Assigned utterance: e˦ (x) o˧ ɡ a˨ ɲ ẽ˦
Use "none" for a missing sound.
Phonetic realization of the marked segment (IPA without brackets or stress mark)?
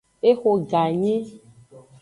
x